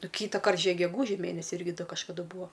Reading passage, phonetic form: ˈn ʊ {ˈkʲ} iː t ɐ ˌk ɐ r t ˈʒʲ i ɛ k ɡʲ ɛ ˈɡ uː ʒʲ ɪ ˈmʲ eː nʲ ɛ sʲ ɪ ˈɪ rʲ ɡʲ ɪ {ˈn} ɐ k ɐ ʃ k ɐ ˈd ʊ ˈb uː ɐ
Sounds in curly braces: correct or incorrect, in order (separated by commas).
correct, incorrect